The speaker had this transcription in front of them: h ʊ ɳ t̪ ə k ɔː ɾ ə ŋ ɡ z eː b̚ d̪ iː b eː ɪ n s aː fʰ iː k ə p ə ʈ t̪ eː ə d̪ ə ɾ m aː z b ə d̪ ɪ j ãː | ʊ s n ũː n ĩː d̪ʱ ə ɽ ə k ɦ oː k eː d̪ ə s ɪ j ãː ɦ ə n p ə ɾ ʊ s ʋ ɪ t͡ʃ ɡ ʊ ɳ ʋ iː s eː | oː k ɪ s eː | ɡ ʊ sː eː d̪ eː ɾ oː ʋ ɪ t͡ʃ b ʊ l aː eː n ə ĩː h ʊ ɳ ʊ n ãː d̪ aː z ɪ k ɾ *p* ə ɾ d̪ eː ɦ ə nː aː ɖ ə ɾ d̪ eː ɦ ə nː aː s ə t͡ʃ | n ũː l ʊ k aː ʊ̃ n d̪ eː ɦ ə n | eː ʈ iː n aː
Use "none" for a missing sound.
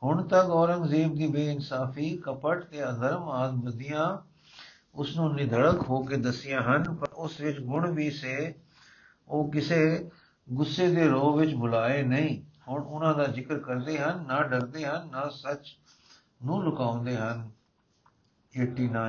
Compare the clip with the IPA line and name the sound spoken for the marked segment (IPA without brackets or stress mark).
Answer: k